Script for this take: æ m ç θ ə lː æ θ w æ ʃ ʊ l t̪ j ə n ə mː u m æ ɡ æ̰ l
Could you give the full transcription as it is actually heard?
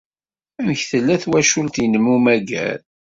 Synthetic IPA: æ m ç θ ə lː æ θ w æ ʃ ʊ l t̪ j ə n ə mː u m æ ɡ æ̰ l